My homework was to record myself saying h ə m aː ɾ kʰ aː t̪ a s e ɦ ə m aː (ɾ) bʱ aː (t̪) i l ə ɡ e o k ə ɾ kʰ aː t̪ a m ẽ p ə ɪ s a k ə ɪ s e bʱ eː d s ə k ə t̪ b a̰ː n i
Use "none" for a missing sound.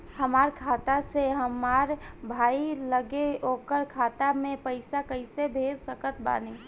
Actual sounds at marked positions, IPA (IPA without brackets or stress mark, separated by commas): ɾ, none